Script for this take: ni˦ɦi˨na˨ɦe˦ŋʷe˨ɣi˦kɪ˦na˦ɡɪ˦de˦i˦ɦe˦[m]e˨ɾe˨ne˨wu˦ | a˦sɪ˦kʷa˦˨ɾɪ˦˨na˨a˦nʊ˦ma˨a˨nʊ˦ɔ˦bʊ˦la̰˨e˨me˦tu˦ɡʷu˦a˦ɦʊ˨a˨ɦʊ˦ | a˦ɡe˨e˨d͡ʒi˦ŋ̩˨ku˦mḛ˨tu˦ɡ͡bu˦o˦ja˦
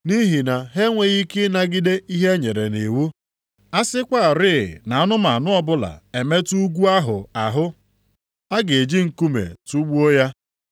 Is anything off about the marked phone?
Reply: yes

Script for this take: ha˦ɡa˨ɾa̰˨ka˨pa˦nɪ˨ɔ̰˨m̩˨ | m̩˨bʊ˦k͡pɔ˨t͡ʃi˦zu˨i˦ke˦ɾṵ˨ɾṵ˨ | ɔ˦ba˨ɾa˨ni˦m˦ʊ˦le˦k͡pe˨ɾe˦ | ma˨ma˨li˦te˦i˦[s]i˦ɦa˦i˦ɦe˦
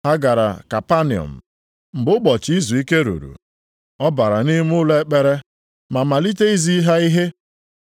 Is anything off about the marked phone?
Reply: yes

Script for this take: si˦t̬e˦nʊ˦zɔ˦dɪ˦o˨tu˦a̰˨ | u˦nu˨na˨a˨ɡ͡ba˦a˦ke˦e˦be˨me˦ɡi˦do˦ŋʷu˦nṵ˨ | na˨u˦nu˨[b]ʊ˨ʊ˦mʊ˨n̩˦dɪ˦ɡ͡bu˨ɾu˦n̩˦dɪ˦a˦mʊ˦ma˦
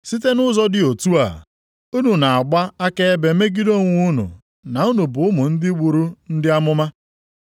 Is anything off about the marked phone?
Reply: no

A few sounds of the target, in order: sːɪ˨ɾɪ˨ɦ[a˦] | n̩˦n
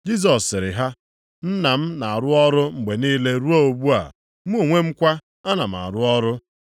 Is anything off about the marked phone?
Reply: no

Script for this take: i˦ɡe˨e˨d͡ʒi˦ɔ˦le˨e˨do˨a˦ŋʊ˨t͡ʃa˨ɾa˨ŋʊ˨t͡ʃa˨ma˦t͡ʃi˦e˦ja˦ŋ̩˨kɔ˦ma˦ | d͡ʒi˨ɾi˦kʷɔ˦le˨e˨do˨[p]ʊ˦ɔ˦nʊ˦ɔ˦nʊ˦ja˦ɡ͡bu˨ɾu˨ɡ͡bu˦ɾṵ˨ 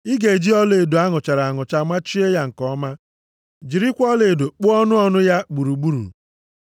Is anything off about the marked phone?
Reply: yes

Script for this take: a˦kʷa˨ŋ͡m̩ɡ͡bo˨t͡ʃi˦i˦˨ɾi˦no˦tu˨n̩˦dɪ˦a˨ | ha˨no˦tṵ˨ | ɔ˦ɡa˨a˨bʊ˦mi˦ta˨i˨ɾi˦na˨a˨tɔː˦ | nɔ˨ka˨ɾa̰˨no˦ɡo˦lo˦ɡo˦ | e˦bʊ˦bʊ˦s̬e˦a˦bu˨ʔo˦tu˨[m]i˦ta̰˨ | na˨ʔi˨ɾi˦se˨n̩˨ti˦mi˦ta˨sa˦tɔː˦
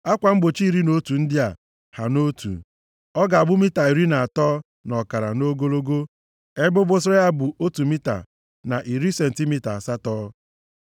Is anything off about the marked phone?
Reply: no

